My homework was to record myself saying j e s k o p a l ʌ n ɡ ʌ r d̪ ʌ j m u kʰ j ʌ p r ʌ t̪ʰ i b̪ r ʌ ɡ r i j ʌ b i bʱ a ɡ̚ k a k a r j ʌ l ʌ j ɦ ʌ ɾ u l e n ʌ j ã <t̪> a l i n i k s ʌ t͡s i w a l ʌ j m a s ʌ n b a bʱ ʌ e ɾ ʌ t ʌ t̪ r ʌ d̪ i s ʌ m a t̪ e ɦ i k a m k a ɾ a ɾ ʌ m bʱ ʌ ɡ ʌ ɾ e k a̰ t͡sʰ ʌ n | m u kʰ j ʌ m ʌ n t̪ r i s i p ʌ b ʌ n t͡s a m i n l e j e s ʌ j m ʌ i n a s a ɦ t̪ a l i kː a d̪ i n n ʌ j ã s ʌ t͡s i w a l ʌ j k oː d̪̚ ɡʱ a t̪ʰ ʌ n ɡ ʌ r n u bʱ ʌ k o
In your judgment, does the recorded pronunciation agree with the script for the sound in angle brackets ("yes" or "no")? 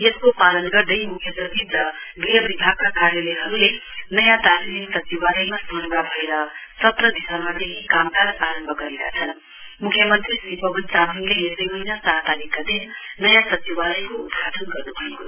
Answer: yes